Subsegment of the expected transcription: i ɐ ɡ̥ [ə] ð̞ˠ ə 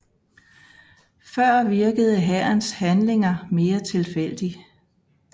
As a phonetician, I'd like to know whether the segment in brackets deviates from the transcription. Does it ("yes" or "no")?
no